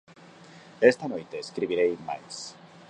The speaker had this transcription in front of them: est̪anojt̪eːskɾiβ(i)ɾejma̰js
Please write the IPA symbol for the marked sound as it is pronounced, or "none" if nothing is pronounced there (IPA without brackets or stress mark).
i